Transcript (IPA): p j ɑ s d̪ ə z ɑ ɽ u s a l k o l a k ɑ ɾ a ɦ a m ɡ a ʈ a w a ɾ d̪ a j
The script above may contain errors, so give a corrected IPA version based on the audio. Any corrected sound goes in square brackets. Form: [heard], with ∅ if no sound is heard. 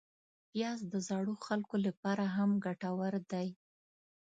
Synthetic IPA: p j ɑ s d̪ ə z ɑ ɽ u [x] a l k o l a [p] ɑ ɾ a ɦ a m ɡ a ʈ a w a ɾ d̪ a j